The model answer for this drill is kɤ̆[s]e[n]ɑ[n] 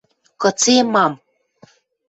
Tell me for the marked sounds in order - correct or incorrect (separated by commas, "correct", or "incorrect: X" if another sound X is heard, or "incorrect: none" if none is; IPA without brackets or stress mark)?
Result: incorrect: t͡s, incorrect: m, incorrect: m